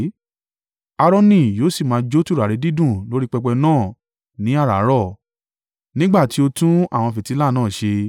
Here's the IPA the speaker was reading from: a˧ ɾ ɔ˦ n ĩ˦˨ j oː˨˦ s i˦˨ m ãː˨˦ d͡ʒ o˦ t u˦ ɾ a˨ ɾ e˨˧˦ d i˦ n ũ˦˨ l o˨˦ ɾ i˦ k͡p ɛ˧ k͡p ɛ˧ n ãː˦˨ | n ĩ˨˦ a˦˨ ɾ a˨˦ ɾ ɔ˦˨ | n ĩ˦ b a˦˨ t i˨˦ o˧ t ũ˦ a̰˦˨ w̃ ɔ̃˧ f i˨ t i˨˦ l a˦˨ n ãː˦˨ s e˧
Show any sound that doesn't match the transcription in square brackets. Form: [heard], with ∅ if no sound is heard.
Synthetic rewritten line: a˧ ɾ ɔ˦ n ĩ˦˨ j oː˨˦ s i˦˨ m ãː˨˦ d͡ʒ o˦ t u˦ ɾ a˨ ɾ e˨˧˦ d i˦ [d] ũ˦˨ l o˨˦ ɾ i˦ k͡p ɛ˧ k͡p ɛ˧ n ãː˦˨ | n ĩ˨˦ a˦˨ ɾ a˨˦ ɾ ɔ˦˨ | n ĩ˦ [ɡ͡b] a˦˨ t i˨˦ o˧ t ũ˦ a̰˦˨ w̃ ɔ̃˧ f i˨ t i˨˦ l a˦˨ n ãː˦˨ [ʃ] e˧